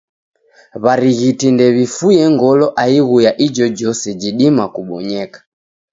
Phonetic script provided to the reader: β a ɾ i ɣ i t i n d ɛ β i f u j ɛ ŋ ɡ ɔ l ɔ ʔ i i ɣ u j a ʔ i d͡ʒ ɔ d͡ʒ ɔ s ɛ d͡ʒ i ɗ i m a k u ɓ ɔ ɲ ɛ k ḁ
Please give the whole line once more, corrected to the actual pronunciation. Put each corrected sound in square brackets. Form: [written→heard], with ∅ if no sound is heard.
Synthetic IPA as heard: β a ɾ i ɣ i t i n d ɛ β i f u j ɛ ŋ ɡ ɔ l ɔ ʔ [i→a] i ɣ u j a ʔ i d͡ʒ ɔ d͡ʒ ɔ s ɛ d͡ʒ i ɗ i m a k u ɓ ɔ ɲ ɛ k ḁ